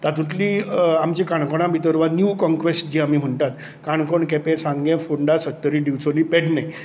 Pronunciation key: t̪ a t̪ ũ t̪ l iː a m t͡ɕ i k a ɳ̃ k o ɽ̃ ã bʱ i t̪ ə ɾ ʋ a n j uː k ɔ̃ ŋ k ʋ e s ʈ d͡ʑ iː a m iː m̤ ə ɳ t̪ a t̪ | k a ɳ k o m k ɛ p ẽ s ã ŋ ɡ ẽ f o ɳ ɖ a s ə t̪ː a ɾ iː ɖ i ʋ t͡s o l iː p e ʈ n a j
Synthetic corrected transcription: t̪ a t̪ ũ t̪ l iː a m t͡ɕ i k a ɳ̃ k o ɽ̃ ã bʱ i t̪ ə ɾ ʋ a n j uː k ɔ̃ ŋ k ʋ e s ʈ d͡ʑ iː a m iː m̤ ə ɳ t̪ a t̪ | k a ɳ k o ɳ k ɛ p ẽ s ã ŋ ɡ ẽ f o ɳ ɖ a s ə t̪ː ə ɾ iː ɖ i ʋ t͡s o l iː p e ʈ n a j